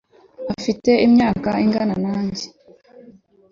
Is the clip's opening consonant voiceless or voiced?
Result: voiceless